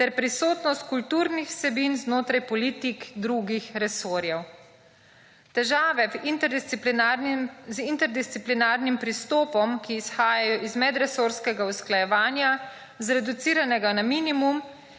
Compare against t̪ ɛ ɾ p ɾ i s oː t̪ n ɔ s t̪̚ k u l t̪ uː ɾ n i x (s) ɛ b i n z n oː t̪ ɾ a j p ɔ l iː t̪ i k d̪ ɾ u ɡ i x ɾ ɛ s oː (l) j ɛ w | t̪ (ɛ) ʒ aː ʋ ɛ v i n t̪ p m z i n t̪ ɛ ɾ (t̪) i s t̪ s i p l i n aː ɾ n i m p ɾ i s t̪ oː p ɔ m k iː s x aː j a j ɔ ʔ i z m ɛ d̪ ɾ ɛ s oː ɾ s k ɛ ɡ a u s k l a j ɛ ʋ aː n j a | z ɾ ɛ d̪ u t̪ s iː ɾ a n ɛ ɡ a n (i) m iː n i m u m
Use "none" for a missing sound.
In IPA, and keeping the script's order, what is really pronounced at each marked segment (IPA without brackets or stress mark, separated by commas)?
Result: s, ɾ, ɛ, d̪, a